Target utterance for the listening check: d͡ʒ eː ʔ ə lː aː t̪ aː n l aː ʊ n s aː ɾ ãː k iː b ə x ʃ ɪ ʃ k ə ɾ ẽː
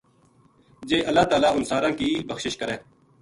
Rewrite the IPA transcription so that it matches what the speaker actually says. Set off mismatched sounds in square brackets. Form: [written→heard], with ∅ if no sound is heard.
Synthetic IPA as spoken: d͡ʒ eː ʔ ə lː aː t̪ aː [n→∅] l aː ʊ n s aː ɾ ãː k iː b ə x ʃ ɪ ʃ k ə ɾ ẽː